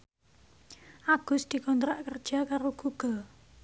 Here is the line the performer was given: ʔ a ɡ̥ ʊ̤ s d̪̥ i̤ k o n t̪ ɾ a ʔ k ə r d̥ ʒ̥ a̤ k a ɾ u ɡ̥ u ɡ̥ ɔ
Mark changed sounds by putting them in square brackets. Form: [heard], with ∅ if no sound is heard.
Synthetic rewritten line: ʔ a ɡ̥ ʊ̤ s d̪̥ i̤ k [ɔ] n t̪ ɾ a ʔ k ə r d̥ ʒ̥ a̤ k a ɾ [o] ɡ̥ u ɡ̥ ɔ